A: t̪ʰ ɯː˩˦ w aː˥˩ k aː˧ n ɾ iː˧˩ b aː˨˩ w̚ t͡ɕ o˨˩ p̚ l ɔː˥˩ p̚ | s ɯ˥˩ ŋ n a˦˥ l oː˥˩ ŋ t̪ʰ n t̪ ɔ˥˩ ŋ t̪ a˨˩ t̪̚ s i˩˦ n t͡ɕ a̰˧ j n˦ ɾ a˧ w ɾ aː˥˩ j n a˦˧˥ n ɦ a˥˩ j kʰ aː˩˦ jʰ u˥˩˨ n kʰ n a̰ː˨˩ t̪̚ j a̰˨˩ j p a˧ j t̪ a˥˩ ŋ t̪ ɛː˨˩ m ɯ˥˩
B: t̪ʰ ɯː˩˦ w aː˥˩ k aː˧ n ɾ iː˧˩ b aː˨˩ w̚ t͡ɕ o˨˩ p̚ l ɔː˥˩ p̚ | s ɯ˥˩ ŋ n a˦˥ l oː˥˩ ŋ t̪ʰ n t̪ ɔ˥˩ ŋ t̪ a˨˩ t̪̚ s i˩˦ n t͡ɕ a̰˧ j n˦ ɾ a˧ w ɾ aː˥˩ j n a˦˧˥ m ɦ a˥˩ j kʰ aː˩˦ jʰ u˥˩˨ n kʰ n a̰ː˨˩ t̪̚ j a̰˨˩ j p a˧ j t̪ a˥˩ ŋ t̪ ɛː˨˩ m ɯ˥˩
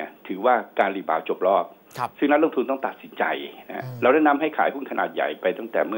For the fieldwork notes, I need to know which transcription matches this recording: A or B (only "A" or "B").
B